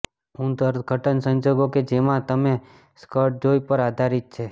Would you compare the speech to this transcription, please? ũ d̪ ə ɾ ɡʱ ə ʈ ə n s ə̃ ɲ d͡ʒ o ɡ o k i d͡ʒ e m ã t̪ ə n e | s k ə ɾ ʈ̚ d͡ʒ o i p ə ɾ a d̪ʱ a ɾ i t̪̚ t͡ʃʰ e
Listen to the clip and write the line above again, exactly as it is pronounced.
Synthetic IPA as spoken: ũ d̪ ə ɾ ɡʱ ə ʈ ə n s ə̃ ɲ d͡ʒ o ɡ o k e d͡ʒ e m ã t̪ ə m e | s k ə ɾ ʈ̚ d͡ʒ o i p ə ɾ a d̪ʱ a ɾ i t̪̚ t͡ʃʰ e